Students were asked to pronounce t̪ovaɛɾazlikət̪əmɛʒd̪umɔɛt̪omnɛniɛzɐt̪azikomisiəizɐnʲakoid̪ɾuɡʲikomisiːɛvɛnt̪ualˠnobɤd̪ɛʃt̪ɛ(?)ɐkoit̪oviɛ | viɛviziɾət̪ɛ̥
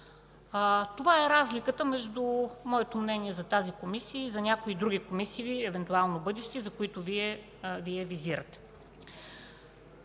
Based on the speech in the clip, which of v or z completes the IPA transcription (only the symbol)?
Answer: z